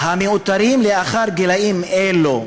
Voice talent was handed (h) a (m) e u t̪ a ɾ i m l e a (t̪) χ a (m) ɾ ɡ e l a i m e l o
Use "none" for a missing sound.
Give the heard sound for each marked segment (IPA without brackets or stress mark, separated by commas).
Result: h, m, none, none